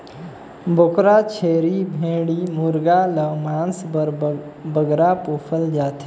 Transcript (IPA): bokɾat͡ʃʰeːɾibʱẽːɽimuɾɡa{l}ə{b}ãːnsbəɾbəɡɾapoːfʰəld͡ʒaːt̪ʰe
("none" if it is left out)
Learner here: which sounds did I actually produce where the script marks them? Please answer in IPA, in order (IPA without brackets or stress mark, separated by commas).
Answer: l, m